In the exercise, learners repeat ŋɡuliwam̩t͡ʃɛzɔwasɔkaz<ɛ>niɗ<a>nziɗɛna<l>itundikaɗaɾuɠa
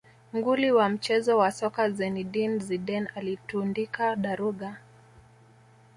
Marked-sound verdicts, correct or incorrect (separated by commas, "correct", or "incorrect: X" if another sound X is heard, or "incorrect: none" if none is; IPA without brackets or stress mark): correct, incorrect: i, correct